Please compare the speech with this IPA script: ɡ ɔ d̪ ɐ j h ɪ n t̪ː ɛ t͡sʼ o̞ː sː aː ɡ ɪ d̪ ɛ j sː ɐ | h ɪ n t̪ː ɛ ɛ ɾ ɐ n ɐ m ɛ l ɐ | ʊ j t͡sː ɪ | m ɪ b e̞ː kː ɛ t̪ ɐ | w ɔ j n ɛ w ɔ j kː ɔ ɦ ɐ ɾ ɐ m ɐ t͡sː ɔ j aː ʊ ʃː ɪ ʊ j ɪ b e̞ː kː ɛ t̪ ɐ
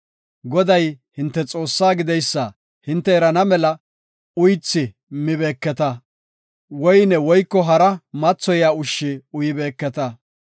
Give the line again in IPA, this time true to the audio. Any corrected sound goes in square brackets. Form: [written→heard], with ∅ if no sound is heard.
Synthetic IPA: ɡ ɔ d̪ ɐ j h ɪ n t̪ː ɛ t͡sʼ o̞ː sː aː ɡ ɪ d̪ ɛ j sː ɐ | h ɪ n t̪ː ɛ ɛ ɾ ɐ n ɐ m ɛ l ɐ | ʊ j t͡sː ɪ | m ɪ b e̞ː kː ɛ t̪ ɐ | w ɔ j n ɛ w ɔ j kː ɔ ɦ ɐ ɾ ɐ m ɐ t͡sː ɔ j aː ʊ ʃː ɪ ʊ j ɪ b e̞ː kː ɛ t̪ ɐ

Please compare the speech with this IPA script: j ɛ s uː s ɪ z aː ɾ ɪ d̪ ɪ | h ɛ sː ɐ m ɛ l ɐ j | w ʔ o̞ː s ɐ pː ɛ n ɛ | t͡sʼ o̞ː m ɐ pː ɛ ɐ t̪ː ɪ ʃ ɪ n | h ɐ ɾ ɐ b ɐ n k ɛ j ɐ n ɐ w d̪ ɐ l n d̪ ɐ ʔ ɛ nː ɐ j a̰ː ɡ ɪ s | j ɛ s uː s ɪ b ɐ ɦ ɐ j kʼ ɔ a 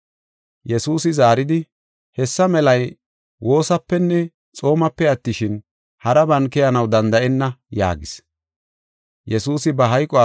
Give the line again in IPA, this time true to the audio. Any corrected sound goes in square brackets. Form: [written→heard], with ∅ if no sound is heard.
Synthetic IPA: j ɛ s uː s ɪ z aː ɾ ɪ d̪ ɪ | h ɛ sː ɐ m ɛ l ɐ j | w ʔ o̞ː s ɐ pː ɛ [n→nː] ɛ | t͡sʼ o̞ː m ɐ pː ɛ ɐ t̪ː ɪ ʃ ɪ n | h ɐ ɾ ɐ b ɐ n k ɛ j ɐ n ɐ w d̪ ɐ [l→∅] n d̪ ɐ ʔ ɛ nː ɐ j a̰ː ɡ ɪ s | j ɛ s uː s ɪ b ɐ ɦ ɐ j kʼ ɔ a

